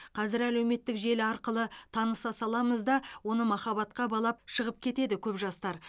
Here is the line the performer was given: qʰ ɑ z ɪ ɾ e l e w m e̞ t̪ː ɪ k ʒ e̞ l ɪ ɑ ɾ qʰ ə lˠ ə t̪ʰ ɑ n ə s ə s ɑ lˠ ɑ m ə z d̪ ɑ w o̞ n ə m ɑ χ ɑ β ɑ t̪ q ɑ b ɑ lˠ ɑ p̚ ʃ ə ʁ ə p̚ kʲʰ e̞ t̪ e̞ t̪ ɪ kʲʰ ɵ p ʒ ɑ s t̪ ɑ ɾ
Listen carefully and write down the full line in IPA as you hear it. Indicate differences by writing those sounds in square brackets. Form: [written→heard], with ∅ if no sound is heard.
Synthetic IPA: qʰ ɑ z ɪ ɾ [e→æ] l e w m e̞ t̪ː ɪ k ʒ e̞ l ɪ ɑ ɾ [qʰ→q] ə lˠ ə t̪ʰ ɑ n ə s [ə→ɑ] s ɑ lˠ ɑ m ə z d̪ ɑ w o̞ n ə m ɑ χ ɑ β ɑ t̪ q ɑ b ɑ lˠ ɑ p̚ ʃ ə ʁ ə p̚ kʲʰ e̞ t̪ e̞ [t̪→d̪] ɪ kʲʰ ɵ p ʒ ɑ s t̪ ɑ ɾ